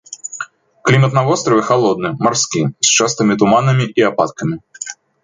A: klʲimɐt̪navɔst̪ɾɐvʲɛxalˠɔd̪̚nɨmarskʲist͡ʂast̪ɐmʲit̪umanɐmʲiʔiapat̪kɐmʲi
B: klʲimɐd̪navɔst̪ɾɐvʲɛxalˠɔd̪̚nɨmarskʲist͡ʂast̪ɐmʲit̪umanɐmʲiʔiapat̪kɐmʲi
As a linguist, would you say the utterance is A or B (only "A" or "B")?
A